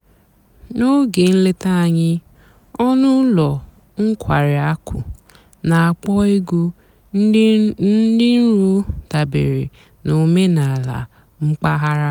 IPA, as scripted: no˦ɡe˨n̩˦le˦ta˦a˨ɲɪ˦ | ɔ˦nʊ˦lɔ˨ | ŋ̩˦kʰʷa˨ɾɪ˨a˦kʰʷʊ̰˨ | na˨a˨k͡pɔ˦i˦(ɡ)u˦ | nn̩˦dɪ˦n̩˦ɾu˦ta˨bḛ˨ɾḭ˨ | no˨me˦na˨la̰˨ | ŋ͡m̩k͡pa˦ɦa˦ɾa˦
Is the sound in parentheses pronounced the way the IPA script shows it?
yes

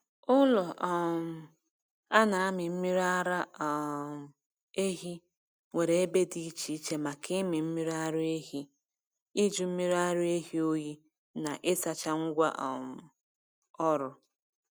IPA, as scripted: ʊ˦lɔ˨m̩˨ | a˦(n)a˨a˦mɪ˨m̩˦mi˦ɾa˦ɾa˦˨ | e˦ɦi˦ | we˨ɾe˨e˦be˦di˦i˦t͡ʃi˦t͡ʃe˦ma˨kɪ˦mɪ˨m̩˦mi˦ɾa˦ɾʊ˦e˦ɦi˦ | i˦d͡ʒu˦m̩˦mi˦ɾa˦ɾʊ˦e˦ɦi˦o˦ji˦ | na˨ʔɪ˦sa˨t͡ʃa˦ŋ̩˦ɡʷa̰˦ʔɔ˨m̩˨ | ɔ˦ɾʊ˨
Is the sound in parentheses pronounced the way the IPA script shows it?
yes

